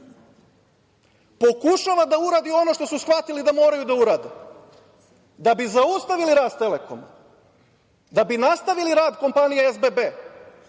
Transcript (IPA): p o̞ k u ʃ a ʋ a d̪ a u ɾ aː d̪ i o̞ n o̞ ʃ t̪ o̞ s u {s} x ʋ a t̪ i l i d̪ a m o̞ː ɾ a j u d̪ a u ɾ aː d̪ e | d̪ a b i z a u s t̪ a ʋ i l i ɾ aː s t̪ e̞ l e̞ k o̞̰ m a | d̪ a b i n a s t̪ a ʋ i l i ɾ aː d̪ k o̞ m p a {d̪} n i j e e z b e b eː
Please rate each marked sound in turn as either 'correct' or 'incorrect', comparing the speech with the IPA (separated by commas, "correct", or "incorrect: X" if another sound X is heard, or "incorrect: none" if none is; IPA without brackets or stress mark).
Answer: correct, incorrect: none